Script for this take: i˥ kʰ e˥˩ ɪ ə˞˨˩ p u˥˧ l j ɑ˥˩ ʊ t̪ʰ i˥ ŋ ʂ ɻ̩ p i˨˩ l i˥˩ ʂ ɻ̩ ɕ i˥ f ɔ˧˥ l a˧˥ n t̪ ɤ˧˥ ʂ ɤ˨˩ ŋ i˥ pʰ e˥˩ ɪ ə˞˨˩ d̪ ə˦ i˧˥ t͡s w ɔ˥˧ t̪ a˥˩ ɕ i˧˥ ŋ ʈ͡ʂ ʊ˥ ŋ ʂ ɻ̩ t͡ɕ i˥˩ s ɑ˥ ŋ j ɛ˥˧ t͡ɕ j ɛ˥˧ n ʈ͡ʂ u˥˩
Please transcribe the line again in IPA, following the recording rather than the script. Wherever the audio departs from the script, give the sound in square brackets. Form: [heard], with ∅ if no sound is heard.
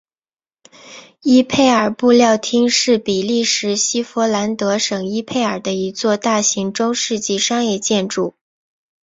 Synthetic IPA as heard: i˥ [pʰ] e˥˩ ɪ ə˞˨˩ p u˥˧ l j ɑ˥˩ ʊ t̪ʰ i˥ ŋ ʂ ɻ̩ p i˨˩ l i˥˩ ʂ ɻ̩ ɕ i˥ f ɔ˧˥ l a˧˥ n t̪ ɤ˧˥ ʂ ɤ˨˩ ŋ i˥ pʰ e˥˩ ɪ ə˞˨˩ d̪ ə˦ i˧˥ t͡s w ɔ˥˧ t̪ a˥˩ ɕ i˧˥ ŋ ʈ͡ʂ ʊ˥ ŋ ʂ ɻ̩ t͡ɕ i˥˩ [ʂ] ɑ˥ ŋ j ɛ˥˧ t͡ɕ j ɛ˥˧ n ʈ͡ʂ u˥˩